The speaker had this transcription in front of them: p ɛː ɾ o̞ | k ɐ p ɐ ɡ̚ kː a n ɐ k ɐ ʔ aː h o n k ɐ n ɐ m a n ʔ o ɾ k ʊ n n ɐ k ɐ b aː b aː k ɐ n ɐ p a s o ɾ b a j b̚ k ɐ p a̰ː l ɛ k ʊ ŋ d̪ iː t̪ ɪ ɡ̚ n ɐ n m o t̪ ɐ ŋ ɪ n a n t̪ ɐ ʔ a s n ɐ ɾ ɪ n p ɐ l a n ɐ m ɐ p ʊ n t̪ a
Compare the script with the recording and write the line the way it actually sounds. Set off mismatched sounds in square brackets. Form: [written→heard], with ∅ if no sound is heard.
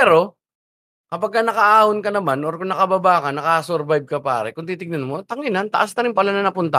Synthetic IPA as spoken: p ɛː ɾ o̞ | k ɐ p ɐ ɡ̚ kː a n ɐ k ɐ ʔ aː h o n k ɐ n ɐ m a n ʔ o ɾ k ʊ [n→ŋ] n ɐ k ɐ b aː b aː k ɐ n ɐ [p→k] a s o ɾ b a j b̚ k ɐ p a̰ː [l→ɾ] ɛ k ʊ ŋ [d̪→t̪] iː t̪ ɪ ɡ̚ n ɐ n m o t̪ ɐ ŋ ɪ n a n t̪ ɐ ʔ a s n ɐ ɾ ɪ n p ɐ l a n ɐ [m→n] ɐ p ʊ n t̪ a